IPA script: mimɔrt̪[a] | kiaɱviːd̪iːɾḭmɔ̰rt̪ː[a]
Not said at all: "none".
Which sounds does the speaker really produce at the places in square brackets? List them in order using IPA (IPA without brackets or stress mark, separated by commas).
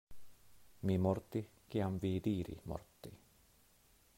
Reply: i, i